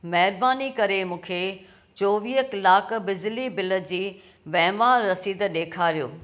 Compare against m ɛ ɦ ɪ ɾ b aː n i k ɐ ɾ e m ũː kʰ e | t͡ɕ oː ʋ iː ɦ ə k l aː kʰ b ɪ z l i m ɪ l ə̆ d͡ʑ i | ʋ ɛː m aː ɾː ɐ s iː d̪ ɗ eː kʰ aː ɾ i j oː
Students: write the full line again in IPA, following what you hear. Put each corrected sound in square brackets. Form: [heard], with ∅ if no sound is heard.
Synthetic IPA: m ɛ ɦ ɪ ɾ b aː n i k ɐ ɾ e m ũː kʰ e | t͡ɕ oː ʋ iː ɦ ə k l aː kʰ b ɪ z l i [b] ɪ l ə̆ d͡ʑ [iː] | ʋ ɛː m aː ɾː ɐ s iː d̪ ɗ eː kʰ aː ɾ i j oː